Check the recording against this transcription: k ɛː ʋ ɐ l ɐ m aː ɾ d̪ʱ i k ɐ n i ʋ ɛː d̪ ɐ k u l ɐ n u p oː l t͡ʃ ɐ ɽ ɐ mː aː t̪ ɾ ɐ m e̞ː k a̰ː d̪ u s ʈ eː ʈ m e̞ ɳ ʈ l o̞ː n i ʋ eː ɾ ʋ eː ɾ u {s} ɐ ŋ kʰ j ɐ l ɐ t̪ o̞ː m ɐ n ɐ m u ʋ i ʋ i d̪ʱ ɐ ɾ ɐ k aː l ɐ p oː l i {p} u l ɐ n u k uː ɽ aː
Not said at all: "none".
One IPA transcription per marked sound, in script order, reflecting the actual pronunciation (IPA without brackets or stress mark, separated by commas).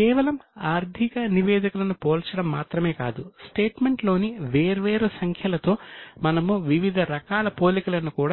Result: s, k